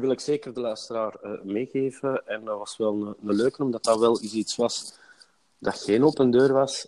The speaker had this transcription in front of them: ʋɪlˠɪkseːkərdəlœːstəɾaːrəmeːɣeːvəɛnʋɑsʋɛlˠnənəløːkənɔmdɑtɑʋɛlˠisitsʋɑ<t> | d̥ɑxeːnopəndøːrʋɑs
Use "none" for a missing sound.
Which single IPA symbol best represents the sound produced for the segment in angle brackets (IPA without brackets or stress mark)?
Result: s